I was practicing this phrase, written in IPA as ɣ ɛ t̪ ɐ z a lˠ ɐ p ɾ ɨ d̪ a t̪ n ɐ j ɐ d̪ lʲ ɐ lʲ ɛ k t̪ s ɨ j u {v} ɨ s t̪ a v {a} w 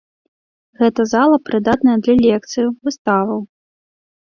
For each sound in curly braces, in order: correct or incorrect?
correct, incorrect: ɐ

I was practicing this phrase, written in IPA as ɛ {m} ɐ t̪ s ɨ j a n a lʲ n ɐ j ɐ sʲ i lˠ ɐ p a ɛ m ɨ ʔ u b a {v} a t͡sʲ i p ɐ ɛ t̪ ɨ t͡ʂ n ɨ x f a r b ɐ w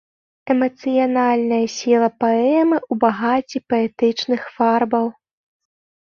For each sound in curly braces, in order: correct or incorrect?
correct, incorrect: ɣ

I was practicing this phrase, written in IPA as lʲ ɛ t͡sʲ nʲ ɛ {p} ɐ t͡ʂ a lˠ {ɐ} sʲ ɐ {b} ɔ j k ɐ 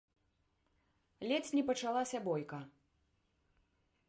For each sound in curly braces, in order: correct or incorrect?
correct, incorrect: a, correct

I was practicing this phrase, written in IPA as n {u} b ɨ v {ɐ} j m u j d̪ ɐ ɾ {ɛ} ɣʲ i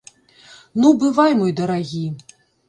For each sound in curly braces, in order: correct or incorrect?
correct, incorrect: a, incorrect: a

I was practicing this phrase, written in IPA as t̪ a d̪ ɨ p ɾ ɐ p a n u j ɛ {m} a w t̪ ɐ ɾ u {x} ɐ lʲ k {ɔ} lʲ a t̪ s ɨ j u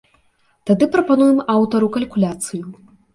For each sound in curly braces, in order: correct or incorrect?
correct, incorrect: k, incorrect: u

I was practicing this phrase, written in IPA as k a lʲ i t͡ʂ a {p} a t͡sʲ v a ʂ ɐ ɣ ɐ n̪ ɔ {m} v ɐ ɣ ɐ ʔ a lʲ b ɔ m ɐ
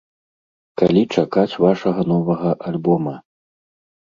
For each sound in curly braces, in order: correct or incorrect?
incorrect: k, incorrect: none

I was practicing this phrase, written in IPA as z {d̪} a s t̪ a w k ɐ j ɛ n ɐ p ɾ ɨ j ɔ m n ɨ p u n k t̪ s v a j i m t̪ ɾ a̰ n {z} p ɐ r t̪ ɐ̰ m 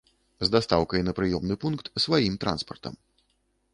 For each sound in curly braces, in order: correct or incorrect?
correct, incorrect: s

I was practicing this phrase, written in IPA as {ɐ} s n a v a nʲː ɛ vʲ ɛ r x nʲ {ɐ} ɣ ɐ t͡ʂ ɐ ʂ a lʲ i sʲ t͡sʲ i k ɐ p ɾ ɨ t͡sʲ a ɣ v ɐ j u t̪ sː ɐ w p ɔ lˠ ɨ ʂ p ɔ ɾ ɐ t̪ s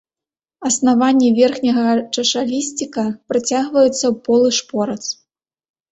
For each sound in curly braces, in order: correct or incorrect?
correct, correct

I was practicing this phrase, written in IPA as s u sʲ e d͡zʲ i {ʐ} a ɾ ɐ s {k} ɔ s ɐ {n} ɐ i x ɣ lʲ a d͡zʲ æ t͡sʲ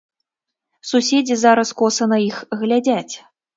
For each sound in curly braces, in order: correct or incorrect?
incorrect: z, correct, correct

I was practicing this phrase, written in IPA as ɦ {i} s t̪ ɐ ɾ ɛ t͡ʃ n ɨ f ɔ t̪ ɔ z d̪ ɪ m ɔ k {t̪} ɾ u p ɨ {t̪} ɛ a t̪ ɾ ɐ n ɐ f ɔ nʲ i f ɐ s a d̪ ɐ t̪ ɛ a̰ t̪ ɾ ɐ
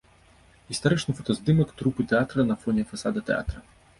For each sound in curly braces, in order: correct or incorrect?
correct, correct, correct

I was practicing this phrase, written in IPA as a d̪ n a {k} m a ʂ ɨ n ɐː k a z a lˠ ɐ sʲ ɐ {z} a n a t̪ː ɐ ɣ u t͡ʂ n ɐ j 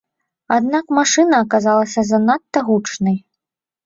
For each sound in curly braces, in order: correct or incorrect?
correct, correct

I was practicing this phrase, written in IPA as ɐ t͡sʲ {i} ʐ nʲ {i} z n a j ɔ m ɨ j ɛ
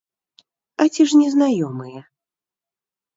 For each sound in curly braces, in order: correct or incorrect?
correct, incorrect: ɛ

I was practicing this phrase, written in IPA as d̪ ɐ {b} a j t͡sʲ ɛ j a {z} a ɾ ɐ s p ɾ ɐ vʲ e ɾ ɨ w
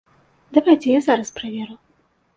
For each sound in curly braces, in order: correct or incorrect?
incorrect: v, correct

